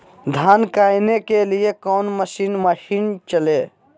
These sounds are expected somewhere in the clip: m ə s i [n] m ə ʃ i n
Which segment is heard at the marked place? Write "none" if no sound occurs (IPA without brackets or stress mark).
n